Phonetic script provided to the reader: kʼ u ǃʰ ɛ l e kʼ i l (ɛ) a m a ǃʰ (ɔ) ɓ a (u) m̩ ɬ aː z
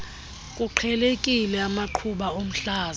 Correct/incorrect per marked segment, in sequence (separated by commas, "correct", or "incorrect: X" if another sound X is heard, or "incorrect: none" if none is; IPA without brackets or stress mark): correct, incorrect: u, incorrect: o